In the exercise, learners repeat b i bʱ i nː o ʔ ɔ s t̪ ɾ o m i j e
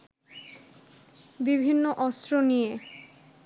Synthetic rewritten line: b i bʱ i nː o ʔ ɔ s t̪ ɾ o n i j e